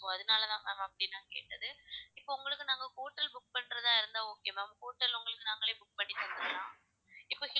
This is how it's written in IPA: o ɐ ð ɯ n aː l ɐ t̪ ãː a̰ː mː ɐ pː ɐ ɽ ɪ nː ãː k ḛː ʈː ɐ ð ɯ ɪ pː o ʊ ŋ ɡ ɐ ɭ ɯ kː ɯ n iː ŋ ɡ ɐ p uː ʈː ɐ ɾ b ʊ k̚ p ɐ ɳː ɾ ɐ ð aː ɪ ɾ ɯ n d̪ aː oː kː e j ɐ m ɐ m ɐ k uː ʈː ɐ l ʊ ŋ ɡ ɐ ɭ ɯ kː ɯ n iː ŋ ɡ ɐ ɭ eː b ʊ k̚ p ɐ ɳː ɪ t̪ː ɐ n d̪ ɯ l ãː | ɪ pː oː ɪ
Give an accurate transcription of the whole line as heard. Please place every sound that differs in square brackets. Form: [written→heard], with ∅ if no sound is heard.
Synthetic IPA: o ɐ ð ɯ n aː l ɐ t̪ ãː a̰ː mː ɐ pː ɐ ɽ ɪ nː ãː k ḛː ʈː ɐ ð ɯ ɪ pː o ʊ ŋ ɡ ɐ ɭ ɯ kː ɯ n [iː→aː] ŋ ɡ ɐ [p→k] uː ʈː ɐ [ɾ→l] b ʊ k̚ p ɐ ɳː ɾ ɐ ð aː ɪ ɾ ɯ n d̪ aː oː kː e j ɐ m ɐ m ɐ k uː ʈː ɐ l ʊ ŋ ɡ ɐ ɭ ɯ kː ɯ n [iː→aː] ŋ ɡ ɐ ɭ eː b ʊ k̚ p ɐ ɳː ɪ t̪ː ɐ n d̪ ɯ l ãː | ɪ pː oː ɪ